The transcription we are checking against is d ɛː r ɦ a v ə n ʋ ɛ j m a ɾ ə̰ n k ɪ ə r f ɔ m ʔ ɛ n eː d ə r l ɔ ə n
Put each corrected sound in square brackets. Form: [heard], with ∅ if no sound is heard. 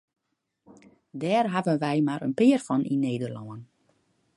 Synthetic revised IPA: d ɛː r ɦ a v ə n ʋ ɛ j m a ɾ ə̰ n [p] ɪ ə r f ɔ [n] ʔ [i] n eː d ə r l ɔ ə n